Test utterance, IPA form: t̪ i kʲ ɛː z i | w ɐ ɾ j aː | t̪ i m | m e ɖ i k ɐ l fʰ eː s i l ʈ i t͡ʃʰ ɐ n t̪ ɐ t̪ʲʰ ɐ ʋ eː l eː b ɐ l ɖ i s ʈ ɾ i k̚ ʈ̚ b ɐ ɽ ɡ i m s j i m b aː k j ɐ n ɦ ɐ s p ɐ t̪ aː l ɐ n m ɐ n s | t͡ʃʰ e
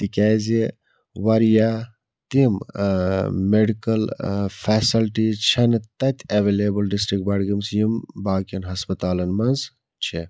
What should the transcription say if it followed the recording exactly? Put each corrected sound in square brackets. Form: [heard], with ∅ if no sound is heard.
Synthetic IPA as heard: t̪ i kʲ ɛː z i | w ɐ ɾ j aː | t̪ i m | m e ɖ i k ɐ l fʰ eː s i l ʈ i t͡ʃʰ ɐ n t̪ ɐ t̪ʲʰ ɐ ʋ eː l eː b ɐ l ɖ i s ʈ ɾ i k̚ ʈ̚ b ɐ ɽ ɡ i m s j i m b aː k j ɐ n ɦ ɐ s p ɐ t̪ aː l ɐ n m ɐ n [z] | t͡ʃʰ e